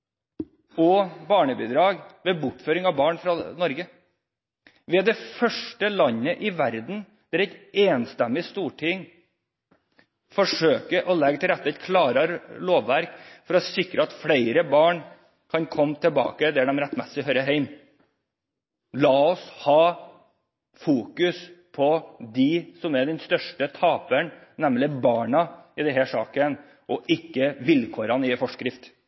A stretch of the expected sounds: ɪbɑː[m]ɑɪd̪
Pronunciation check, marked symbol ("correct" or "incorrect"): incorrect